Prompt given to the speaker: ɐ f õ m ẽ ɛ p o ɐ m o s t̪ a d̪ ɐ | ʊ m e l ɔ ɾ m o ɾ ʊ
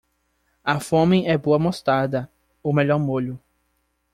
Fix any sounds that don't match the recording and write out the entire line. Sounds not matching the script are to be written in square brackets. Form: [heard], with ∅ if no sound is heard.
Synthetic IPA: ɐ f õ m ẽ ɛ [b] o ɐ m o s t̪ a d̪ ɐ | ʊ m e [ʎ] ɔ ɾ m o [ʎ] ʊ